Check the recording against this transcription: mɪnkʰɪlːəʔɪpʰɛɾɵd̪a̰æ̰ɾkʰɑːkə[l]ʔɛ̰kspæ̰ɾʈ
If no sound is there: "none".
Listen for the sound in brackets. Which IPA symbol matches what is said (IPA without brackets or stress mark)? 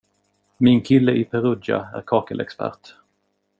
l